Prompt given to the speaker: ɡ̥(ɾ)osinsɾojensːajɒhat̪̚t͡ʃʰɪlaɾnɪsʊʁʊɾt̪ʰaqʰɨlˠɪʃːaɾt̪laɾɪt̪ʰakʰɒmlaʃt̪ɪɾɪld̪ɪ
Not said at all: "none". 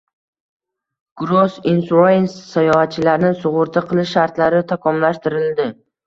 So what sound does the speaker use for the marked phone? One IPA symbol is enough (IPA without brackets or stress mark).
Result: ɾ